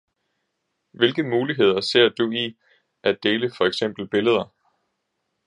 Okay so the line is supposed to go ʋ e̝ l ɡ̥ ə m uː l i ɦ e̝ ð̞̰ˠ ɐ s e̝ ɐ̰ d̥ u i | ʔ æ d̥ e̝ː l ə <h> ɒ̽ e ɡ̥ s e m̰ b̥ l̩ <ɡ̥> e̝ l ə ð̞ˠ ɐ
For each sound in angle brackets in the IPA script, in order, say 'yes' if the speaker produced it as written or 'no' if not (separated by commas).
no, no